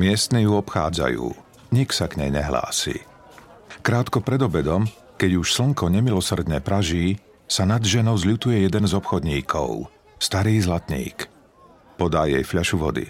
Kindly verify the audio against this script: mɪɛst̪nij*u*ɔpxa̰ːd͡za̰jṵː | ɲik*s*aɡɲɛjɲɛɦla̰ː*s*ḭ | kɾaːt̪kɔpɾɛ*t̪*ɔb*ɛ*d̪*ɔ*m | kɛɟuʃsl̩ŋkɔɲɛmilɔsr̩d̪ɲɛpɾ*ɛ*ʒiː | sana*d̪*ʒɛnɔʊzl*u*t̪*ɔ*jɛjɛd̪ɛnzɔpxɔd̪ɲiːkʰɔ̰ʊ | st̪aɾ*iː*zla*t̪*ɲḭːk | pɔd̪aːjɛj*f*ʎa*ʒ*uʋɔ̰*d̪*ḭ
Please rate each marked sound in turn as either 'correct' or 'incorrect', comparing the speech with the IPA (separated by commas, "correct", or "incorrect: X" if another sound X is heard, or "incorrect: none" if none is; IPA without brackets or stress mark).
correct, correct, correct, incorrect: d̪, correct, correct, incorrect: a, correct, correct, incorrect: u, correct, correct, correct, incorrect: ʃ, correct